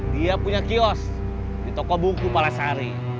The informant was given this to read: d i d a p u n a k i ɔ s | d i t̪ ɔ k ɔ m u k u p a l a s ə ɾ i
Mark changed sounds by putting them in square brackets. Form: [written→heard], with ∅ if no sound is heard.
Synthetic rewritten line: d i [d→∅] a p u [n→ɲ] a k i ɔ s | d i t̪ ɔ k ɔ [m→b] u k u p a l a s [ə→a] ɾ i